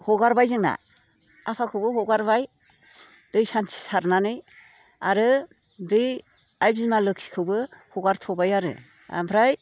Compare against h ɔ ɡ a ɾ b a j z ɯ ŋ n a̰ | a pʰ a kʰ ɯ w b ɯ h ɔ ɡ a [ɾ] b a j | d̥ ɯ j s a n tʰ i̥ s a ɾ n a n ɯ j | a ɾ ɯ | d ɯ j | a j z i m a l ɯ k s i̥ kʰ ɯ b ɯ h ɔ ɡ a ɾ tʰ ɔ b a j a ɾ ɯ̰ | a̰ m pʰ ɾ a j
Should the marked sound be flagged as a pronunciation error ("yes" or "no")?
no